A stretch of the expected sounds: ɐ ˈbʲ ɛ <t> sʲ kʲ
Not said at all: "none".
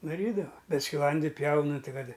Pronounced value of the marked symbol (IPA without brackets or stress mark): t